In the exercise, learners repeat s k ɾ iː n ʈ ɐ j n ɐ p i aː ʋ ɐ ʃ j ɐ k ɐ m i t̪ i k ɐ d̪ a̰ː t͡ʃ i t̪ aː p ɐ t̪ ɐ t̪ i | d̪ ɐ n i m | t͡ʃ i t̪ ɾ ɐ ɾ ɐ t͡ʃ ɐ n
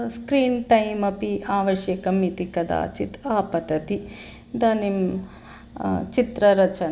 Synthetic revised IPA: s k ɾ iː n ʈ ɐ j m ɐ p i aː ʋ ɐ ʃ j ɐ k ɐ m i t̪ i k ɐ d̪ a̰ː t͡ʃ i t̪ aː p ɐ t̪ ɐ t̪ i | d̪ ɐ n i m | t͡ʃ i t̪ ɾ ɐ ɾ ɐ t͡ʃ ɐ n